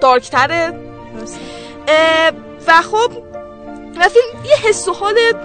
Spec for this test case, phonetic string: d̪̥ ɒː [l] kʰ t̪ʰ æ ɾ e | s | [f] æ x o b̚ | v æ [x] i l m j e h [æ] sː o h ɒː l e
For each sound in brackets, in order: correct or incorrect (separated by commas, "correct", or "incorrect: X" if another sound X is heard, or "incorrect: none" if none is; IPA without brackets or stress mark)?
incorrect: ɾ, incorrect: v, incorrect: f, incorrect: e